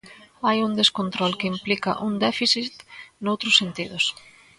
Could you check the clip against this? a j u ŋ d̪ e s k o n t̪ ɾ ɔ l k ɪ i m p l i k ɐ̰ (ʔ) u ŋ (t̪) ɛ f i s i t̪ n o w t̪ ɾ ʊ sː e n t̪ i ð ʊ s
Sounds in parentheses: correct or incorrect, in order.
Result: correct, incorrect: d̪

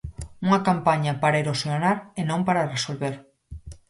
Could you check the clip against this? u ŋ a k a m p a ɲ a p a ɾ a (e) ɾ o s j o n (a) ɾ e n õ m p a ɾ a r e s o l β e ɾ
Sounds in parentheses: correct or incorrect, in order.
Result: correct, correct

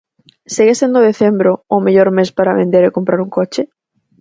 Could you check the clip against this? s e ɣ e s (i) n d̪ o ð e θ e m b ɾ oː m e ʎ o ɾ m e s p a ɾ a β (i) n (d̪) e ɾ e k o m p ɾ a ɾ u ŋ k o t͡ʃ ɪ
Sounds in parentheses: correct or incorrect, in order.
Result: incorrect: e, incorrect: e, correct

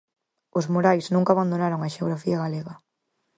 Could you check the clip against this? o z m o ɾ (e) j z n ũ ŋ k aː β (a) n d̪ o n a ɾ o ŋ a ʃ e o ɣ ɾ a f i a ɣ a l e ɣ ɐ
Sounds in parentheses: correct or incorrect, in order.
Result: incorrect: a, correct

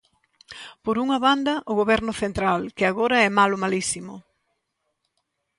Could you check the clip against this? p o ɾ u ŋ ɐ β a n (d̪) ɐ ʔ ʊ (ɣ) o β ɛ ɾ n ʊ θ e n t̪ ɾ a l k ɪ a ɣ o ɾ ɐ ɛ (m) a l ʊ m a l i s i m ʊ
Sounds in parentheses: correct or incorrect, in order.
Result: correct, correct, correct

